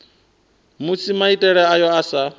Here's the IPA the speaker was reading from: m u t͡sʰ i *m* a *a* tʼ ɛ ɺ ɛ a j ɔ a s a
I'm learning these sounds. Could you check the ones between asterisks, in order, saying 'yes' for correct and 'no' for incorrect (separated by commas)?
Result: yes, no